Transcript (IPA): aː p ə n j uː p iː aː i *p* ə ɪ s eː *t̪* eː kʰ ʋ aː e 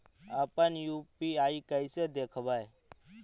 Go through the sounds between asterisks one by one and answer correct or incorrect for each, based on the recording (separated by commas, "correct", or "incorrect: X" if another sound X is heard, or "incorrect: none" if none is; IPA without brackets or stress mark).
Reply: incorrect: k, incorrect: d̪